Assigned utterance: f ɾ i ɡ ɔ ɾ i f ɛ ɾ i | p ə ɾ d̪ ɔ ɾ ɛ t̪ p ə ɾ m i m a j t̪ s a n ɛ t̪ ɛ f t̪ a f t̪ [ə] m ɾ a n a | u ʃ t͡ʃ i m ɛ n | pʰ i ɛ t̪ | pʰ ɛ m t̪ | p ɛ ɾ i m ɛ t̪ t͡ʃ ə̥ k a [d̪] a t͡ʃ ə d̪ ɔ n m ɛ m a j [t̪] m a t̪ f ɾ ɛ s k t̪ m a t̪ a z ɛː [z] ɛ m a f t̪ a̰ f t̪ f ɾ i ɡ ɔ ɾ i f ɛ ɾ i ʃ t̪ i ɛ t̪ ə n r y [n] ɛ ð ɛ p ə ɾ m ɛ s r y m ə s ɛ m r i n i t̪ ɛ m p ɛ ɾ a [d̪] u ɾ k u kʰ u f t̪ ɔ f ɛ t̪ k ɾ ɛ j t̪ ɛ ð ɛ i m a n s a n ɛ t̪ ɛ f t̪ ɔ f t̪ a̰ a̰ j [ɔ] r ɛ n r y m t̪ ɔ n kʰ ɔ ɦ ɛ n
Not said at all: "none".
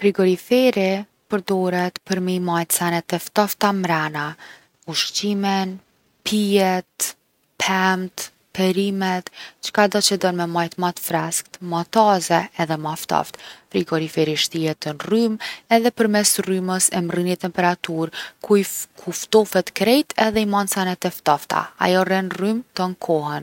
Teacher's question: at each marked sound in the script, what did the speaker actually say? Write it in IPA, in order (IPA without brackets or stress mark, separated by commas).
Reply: a, d̪, t̪, ð, m, t̪, ɔ